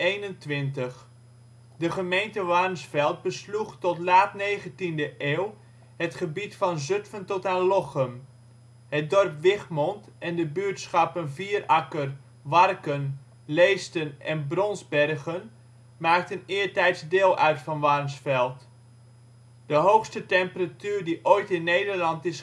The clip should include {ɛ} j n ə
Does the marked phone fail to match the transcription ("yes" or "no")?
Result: yes